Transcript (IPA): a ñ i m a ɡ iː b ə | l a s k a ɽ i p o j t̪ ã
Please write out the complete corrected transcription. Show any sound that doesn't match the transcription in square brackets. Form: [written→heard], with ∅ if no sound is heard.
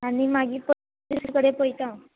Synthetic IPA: a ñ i m a ɡ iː [b→p] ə | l [a→i] s k [a→ə] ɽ [i→e] p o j t̪ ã